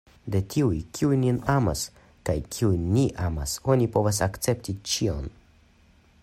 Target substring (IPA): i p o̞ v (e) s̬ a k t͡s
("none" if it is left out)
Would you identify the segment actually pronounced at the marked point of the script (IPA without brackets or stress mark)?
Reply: a